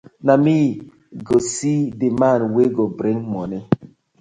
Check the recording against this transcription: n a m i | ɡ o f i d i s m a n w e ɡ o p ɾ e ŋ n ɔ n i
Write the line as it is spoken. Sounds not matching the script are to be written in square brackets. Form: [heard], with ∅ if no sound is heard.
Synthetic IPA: n a m i | ɡ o [s] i d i [∅] m a n w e ɡ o [b] ɾ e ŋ [m] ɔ n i

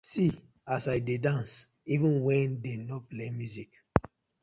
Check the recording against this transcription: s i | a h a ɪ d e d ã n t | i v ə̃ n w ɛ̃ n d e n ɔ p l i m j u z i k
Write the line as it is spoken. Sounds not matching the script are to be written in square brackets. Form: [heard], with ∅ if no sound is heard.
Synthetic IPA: s i | a [s] a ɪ d e d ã n [s] | i v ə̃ n w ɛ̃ n d e n ɔ p l [e] m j u z i k

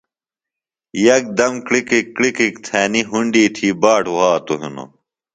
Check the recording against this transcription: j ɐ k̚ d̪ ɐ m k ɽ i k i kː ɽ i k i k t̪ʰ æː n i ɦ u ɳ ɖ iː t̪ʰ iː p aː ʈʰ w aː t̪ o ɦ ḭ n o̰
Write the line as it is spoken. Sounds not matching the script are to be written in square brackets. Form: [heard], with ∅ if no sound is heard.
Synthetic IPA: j ɐ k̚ d̪ ɐ m k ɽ i k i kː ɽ i k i k t̪ʰ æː n i ɦ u ɳ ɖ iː t̪ʰ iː [b] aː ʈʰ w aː t̪ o ɦ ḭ n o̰

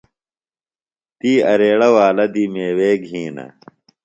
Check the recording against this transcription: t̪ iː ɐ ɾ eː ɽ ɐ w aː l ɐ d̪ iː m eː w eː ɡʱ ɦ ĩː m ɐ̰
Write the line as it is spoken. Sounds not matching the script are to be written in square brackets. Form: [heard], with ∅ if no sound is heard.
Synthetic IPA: t̪ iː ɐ ɾ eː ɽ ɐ w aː l ɐ d̪ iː m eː w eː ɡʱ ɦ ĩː [n] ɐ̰

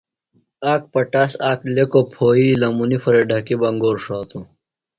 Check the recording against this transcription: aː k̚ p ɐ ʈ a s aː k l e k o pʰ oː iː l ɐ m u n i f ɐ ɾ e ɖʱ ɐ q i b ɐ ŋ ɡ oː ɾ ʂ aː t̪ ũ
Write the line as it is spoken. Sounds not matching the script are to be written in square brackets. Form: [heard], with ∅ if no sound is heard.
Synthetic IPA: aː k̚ p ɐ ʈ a s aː k l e k o pʰ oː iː l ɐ m u n i f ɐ ɾ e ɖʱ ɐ [k] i b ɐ ŋ ɡ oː ɾ ʂ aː t̪ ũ

